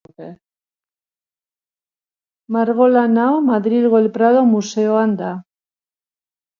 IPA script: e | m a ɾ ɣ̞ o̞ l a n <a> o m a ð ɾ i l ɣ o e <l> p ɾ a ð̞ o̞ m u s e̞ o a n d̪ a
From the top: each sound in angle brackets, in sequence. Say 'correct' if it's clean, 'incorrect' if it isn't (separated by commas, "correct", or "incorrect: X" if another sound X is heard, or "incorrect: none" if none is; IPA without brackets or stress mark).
correct, correct